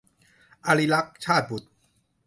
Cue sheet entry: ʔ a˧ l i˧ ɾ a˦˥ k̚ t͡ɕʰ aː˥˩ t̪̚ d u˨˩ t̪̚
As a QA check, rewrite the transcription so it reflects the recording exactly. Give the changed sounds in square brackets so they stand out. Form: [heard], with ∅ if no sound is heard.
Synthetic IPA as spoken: ʔ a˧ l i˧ [l] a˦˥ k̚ t͡ɕʰ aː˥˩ t̪̚ [b] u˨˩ t̪̚